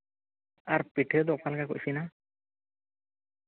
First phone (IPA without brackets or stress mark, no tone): a